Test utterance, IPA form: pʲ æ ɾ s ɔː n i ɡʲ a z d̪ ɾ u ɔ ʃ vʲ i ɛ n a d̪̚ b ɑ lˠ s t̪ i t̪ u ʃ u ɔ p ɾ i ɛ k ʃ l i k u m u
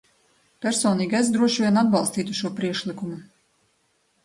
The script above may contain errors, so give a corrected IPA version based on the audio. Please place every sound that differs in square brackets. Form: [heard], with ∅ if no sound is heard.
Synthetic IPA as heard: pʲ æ ɾ s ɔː n [iː] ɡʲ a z d̪ ɾ u ɔ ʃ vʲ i ɛ n a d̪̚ b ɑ lˠ s t̪ [iː] t̪ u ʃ u ɔ p ɾ i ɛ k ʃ l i k u m u